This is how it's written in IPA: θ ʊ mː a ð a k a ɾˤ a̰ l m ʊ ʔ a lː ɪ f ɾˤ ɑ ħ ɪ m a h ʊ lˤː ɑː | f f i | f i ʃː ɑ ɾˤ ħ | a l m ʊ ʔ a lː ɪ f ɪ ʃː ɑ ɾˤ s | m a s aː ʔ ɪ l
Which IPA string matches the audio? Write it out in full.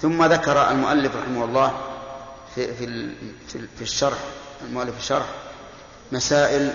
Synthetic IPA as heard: θ ʊ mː a ð a k ɑ ɾˤ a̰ l m ʊ ʔ a lː ɪ f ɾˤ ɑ ħ ɪ m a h ʊ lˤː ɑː | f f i | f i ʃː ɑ ɾˤ ħ | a l m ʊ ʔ a lː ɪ f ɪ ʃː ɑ ɾˤ ħ | m a s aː ʔ ɪ l